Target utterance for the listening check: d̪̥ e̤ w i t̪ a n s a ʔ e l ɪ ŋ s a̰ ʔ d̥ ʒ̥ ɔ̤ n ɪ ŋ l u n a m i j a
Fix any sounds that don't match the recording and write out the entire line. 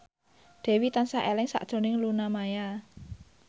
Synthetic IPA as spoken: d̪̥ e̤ w i t̪ a n s a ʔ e l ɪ ŋ s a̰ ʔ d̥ ʒ̥ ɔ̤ n ɪ ŋ l u n a m a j a